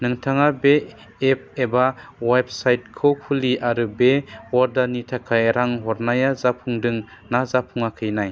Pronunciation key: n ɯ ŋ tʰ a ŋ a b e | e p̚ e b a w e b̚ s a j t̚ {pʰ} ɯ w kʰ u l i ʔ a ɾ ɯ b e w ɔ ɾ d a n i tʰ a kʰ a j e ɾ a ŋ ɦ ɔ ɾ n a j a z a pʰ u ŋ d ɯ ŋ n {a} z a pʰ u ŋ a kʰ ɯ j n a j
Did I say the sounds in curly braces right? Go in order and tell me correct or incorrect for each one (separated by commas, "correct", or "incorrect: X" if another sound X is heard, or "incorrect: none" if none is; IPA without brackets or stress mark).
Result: incorrect: kʰ, correct